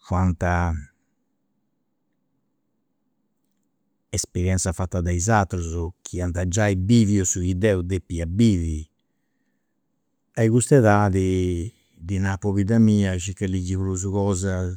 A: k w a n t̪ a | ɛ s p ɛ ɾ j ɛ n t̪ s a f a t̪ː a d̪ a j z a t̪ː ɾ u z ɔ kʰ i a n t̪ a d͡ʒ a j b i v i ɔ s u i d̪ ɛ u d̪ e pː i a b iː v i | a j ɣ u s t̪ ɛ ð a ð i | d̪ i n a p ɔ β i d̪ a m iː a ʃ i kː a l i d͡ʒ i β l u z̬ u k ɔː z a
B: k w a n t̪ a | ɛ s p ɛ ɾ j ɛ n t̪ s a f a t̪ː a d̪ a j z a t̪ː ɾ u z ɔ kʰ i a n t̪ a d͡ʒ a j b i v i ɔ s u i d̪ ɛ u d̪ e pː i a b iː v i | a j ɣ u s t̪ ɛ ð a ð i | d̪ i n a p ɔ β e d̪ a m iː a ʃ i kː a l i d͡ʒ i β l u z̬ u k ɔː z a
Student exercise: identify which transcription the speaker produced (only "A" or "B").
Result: A